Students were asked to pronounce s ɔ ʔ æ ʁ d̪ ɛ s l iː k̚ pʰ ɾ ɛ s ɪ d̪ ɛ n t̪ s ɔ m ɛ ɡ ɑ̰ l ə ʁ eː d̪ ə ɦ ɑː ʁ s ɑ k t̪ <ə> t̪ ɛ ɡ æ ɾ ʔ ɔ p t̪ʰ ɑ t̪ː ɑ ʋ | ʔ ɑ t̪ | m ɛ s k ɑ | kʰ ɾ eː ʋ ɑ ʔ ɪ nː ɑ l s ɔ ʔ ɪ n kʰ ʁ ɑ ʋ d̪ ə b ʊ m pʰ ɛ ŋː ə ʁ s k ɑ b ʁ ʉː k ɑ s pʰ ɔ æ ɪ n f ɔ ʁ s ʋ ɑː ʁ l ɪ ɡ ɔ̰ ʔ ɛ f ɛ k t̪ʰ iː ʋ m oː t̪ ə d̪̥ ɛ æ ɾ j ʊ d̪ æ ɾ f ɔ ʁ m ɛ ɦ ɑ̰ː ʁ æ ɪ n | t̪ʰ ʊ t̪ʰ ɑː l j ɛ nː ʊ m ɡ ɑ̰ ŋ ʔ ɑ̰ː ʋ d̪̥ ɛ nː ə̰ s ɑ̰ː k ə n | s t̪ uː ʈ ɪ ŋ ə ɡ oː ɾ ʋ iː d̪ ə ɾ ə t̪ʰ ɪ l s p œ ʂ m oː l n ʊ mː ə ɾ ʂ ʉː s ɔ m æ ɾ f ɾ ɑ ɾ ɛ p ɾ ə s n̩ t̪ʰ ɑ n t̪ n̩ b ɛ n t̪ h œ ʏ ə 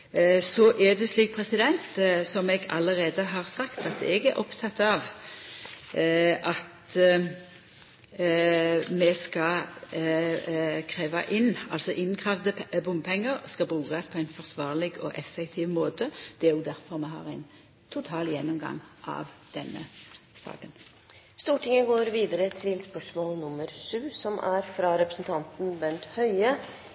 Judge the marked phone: incorrect: ɑ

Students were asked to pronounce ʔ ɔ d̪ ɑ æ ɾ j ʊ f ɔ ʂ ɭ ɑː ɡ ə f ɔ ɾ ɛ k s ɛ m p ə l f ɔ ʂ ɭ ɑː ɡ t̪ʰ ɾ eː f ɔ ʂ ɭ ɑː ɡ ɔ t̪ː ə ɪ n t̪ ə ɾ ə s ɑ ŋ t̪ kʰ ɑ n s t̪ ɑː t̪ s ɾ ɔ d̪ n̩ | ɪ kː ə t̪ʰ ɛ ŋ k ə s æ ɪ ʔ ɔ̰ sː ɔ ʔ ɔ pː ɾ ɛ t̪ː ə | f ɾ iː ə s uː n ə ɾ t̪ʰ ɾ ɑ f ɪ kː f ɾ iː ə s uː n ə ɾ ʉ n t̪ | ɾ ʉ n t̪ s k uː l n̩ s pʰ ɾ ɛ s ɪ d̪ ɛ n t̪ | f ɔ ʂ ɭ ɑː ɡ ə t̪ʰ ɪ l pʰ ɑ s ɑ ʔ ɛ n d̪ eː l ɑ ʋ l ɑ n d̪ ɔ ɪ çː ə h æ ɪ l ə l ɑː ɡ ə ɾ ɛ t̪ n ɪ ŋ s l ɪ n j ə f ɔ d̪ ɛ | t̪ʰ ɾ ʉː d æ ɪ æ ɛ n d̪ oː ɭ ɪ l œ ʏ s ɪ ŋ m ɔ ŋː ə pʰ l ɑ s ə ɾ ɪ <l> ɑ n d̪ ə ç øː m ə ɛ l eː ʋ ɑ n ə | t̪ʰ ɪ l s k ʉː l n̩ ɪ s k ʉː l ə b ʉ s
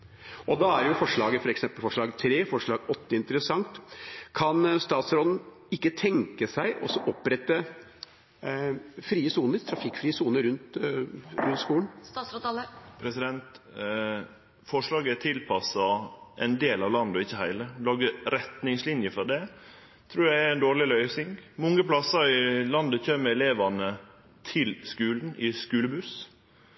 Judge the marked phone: correct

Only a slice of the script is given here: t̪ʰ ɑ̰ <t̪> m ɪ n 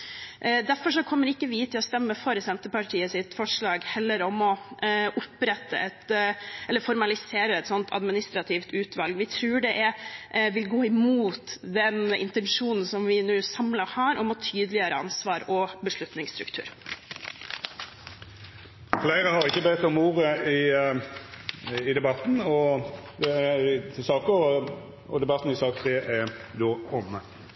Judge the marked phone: incorrect: d̪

